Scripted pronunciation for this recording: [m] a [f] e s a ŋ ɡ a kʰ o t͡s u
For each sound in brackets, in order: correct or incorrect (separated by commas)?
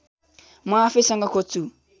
correct, correct